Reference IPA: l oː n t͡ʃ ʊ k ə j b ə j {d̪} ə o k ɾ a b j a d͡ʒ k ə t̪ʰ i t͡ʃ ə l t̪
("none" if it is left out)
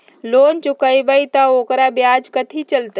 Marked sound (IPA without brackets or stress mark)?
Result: t̪